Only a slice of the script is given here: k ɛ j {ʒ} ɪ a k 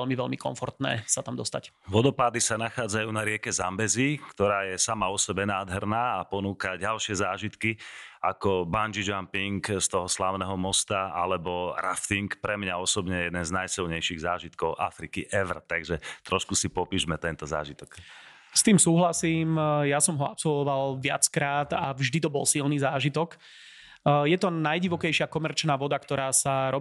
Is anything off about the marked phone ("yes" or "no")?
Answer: yes